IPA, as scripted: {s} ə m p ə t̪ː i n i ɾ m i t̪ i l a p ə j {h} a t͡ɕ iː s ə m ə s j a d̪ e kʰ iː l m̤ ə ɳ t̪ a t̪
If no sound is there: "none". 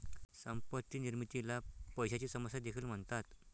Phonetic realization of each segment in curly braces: s, ɕ

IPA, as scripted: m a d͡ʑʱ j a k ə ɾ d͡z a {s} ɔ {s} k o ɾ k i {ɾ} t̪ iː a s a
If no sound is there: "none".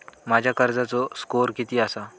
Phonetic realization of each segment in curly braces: t͡s, s, none

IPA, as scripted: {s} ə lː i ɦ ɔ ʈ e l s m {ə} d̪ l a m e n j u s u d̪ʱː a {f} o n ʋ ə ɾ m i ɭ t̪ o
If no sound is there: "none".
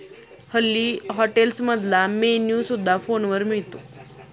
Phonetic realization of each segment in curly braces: h, ə, f

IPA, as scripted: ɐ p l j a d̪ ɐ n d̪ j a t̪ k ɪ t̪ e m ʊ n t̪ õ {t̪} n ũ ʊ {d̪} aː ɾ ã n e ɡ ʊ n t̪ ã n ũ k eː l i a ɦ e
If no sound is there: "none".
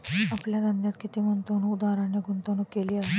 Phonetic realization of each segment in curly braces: none, d̪

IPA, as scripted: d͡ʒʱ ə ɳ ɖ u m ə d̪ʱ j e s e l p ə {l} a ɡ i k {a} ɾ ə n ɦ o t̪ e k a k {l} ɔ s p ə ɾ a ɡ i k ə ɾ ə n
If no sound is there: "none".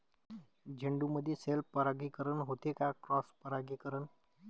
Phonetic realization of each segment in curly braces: ɾ, ə, ɾ

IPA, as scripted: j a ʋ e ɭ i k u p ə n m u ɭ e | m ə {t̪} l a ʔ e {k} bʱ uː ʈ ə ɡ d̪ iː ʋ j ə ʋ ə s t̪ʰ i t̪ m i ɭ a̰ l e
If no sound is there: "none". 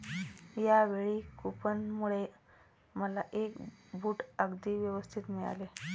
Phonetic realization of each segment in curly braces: none, k

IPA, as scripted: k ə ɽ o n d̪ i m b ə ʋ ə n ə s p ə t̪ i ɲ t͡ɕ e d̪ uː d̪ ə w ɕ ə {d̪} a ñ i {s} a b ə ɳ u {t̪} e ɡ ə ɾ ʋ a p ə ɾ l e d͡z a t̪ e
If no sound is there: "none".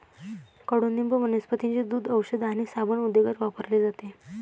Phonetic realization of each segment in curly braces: d̪, s, d̪

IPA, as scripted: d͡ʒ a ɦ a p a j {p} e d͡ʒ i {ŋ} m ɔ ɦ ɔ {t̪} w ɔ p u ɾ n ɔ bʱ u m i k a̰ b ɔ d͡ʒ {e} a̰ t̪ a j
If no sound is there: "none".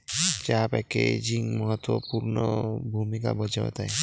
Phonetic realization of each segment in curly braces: k, ŋ, t̪, a

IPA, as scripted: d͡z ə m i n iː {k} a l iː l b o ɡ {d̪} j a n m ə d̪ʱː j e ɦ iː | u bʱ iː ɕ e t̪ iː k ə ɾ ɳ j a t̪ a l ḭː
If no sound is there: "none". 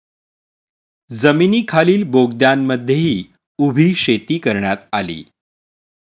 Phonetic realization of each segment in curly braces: kʰ, d̪

